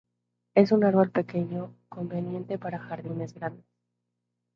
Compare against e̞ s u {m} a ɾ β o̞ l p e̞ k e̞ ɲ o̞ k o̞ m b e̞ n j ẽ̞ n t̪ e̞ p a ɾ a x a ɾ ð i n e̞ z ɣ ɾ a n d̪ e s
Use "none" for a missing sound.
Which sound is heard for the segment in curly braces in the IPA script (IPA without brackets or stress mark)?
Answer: n